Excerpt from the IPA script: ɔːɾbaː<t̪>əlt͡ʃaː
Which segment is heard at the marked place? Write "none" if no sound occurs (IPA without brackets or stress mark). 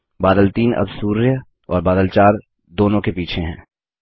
d̪